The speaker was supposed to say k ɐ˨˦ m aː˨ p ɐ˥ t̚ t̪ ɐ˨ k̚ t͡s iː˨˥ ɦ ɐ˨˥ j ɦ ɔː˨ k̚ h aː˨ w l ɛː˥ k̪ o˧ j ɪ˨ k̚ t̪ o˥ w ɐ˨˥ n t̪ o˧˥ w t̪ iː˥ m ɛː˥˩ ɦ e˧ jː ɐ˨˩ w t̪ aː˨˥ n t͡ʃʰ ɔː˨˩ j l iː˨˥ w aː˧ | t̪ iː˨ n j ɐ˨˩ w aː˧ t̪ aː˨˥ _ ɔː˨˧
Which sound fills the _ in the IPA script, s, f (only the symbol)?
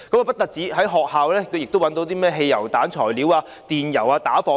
f